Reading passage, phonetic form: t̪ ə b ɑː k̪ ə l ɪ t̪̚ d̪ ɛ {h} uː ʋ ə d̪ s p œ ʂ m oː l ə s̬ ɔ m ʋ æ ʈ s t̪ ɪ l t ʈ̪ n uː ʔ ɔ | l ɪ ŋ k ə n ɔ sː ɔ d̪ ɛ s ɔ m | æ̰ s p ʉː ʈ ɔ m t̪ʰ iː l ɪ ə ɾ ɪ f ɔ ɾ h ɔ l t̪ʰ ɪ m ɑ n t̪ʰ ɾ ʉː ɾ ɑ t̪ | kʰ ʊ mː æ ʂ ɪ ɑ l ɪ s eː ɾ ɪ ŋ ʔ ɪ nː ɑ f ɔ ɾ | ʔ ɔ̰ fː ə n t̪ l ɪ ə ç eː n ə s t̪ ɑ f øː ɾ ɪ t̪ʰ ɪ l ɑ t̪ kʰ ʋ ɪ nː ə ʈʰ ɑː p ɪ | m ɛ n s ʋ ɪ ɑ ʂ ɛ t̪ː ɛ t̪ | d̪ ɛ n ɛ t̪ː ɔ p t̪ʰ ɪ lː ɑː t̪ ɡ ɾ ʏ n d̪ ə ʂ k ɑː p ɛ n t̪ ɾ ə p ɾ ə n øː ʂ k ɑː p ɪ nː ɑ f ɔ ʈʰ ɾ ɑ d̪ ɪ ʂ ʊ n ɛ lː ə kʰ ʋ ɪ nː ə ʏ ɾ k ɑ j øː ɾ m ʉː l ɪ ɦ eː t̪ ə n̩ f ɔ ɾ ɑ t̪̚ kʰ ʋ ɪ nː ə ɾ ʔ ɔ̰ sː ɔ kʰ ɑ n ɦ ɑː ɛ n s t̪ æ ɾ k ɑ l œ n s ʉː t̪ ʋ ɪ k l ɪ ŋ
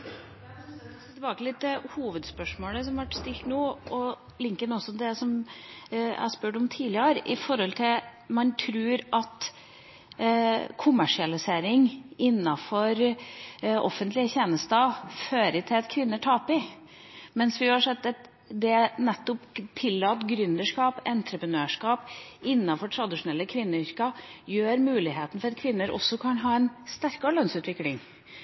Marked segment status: correct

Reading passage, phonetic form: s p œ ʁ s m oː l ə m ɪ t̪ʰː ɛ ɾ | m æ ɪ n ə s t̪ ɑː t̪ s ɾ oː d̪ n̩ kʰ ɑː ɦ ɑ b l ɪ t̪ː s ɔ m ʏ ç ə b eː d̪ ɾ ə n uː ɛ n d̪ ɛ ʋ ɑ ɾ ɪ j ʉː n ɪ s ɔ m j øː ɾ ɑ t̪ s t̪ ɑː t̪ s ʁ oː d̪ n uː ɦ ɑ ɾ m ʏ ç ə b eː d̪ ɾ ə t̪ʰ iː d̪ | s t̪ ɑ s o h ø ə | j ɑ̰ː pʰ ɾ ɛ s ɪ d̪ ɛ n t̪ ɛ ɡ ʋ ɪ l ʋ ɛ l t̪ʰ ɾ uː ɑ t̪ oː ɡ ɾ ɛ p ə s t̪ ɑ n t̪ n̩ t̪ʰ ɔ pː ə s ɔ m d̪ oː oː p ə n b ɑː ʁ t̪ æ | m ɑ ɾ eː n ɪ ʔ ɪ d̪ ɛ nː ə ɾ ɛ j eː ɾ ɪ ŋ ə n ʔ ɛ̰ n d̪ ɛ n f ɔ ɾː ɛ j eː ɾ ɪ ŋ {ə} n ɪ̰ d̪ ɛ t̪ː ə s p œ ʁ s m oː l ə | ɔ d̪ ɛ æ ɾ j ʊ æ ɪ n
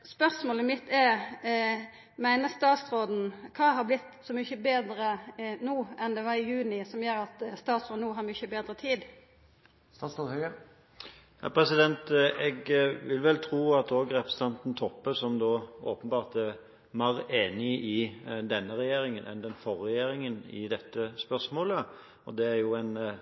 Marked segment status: correct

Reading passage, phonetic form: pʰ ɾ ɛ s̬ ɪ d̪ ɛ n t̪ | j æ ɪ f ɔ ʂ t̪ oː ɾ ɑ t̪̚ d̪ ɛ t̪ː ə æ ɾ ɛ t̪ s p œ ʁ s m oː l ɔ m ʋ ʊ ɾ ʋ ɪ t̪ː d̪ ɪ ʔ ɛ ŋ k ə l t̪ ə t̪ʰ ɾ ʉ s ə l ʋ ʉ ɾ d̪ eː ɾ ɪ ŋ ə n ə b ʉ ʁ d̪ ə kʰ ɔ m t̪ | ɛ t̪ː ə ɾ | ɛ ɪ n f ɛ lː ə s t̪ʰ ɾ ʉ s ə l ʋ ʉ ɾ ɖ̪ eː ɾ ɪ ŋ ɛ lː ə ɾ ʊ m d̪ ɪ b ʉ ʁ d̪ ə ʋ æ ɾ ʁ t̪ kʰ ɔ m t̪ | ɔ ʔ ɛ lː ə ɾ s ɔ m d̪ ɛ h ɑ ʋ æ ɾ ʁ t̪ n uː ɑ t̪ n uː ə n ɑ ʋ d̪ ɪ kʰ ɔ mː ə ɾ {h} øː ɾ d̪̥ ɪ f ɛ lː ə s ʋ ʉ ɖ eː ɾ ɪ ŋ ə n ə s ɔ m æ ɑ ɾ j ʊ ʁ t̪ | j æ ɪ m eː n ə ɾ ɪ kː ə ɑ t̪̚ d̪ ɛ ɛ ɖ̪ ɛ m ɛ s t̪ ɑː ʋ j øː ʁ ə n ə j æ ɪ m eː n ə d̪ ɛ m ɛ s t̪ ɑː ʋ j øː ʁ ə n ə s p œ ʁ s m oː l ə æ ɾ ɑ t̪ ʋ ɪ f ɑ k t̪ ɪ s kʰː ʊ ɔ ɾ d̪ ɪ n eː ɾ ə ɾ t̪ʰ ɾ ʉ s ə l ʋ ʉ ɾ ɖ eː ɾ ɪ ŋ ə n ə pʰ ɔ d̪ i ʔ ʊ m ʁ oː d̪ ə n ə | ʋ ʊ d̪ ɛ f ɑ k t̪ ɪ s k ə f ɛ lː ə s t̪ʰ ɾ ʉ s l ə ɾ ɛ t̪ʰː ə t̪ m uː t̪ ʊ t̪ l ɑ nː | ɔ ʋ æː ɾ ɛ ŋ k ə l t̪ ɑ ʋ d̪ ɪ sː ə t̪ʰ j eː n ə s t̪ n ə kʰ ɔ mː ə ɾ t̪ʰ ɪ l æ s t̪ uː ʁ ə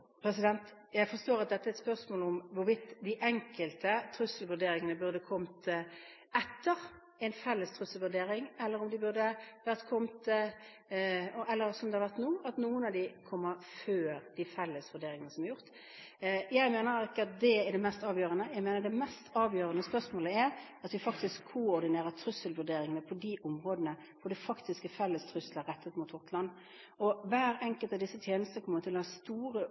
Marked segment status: incorrect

